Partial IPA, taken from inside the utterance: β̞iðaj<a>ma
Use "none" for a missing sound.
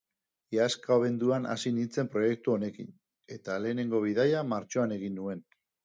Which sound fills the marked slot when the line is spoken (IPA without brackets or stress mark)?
a